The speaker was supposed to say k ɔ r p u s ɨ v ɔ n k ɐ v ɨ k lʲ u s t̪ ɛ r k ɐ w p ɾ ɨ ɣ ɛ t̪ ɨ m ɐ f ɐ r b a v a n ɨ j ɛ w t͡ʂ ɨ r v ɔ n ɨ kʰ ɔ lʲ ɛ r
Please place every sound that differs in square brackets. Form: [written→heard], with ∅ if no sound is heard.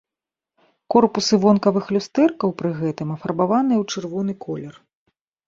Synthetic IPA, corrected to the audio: k ɔ r p u s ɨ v ɔ n k ɐ v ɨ [k→x] lʲ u s t̪ ɛ r k ɐ w p ɾ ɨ ɣ ɛ t̪ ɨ m ɐ f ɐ r b a v a n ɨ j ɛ w t͡ʂ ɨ r v ɔ n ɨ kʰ ɔ lʲ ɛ r